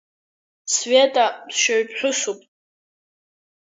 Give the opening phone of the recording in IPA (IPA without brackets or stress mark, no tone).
s